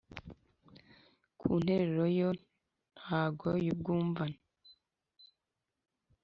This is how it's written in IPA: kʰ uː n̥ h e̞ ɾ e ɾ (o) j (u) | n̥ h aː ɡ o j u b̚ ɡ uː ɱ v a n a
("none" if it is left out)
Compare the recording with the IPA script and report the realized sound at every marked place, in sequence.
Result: o, o

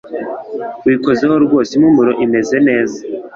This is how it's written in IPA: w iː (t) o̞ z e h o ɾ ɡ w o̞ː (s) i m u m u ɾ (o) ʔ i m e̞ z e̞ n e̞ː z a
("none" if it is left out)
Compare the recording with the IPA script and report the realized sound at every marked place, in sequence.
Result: k, s, o

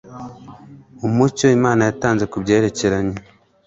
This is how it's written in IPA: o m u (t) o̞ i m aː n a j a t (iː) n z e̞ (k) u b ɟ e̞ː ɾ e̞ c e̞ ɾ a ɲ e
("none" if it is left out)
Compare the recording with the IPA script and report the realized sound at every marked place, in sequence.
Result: c, aː, k

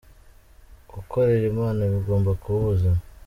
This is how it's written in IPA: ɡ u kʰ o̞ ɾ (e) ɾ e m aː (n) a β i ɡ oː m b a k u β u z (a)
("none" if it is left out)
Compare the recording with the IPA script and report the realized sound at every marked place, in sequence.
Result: e, n, a

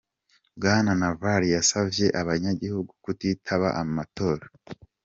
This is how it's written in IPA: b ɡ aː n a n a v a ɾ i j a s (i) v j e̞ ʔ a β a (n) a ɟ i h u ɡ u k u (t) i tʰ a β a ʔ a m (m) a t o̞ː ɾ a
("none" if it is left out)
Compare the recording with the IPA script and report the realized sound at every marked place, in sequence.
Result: a, ɲ, t, m

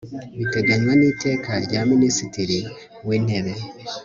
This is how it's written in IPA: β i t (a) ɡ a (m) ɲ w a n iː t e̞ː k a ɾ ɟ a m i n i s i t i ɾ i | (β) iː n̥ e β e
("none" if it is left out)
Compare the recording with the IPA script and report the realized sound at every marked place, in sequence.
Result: e, none, w

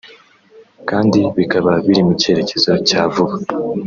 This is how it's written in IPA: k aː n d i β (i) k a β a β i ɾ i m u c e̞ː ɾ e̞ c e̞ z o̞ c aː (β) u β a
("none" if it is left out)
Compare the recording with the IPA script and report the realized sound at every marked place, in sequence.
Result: i, v

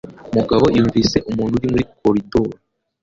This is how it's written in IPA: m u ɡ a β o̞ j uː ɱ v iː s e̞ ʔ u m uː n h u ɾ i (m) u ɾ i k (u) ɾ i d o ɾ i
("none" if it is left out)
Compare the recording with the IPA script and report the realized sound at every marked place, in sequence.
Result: m, o

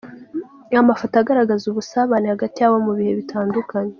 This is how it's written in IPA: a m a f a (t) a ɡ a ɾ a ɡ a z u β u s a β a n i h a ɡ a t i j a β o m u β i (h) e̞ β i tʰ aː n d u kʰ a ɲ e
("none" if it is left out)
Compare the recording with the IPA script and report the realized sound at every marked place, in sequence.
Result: t, h

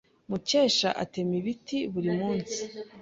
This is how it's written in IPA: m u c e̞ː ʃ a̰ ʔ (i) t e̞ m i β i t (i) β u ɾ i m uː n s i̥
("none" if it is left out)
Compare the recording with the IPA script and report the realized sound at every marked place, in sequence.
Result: a, i

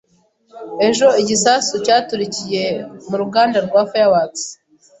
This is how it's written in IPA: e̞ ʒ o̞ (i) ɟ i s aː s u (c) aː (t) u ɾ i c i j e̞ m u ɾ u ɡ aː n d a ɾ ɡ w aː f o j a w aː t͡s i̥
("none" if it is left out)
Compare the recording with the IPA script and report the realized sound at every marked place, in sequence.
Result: i, c, t

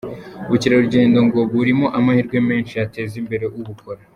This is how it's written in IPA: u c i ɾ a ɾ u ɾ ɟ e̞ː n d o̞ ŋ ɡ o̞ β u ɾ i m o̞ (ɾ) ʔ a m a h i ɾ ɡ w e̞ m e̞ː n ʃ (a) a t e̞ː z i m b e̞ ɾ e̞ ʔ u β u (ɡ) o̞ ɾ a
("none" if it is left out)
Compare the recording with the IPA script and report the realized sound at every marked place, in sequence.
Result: none, i, k

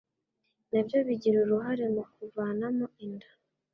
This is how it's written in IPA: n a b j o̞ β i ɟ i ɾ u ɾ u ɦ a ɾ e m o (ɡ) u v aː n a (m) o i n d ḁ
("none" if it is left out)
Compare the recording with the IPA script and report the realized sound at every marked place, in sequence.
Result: k, m

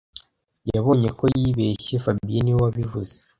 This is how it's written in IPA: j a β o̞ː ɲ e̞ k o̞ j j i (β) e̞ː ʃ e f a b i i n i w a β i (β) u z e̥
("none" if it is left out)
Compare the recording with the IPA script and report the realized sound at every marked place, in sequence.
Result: β, v

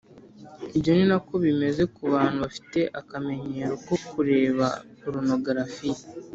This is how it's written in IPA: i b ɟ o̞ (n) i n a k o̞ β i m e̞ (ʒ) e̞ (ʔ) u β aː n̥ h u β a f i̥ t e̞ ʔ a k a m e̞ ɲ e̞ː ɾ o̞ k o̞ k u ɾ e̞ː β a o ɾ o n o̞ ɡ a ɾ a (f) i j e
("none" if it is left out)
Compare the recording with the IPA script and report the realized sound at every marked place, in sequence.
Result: n, z, k, f

